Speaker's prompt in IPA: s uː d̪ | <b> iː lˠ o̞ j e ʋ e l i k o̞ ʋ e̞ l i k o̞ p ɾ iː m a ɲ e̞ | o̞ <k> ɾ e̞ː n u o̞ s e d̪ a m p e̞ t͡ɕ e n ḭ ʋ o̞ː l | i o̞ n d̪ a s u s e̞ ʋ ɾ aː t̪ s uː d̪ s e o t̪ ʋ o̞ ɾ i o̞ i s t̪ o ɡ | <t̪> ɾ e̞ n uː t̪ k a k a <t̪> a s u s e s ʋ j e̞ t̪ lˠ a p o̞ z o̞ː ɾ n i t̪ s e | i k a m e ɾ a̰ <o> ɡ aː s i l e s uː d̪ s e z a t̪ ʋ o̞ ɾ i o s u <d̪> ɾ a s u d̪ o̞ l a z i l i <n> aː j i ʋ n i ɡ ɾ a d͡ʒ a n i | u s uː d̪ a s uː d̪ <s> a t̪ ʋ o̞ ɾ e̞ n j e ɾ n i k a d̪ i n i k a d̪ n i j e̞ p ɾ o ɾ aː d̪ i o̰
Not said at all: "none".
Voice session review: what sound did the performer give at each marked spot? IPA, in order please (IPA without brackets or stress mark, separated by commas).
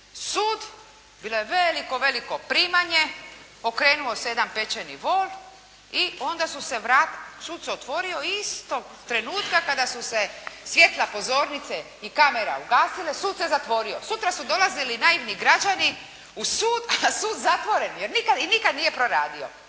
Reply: b, k, t̪, d̪, u, t̪, n, z